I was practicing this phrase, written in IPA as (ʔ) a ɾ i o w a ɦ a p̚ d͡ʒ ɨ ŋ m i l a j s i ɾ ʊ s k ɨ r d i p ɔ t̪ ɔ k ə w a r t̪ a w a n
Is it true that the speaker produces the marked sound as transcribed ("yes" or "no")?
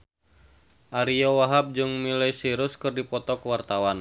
yes